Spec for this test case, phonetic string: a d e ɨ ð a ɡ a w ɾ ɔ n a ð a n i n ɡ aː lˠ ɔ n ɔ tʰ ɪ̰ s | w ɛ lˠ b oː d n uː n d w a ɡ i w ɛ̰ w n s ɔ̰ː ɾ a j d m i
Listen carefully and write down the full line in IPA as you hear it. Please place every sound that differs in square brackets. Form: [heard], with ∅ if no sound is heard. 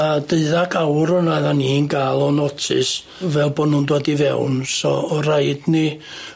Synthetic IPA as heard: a d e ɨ ð a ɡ a w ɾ ɔ n a ð a n i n ɡ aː lˠ ɔ n ɔ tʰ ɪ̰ s | [v] ɛ lˠ b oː d n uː n d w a [d] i [v] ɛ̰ w n s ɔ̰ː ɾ a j d [n] i